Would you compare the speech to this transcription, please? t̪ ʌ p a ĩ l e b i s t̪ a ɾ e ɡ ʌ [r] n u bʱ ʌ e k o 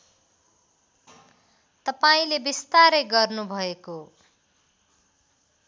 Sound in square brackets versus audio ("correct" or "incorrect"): correct